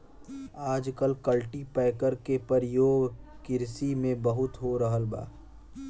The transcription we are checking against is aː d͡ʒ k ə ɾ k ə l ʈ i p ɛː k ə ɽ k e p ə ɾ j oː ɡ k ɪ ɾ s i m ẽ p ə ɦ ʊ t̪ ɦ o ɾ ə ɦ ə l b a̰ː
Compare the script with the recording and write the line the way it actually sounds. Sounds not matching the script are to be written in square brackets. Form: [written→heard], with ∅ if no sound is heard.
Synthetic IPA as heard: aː d͡ʒ k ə [ɾ→l] k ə l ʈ i p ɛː k ə [ɽ→ɾ] k e p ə ɾ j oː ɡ k ɪ ɾ s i m ẽ [p→b] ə ɦ ʊ t̪ ɦ o ɾ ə ɦ ə l b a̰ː